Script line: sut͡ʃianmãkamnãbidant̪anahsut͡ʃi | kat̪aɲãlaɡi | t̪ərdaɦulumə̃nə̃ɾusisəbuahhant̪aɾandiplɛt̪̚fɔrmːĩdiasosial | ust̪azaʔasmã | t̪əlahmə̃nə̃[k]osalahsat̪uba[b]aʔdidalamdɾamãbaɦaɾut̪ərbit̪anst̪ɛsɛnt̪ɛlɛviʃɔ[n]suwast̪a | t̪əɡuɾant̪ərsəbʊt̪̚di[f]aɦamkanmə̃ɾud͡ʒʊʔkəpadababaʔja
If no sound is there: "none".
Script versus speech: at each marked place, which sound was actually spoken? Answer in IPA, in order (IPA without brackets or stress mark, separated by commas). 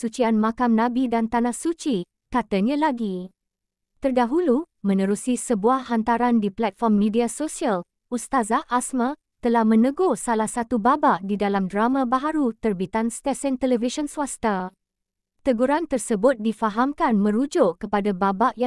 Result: ɡ, b, n, f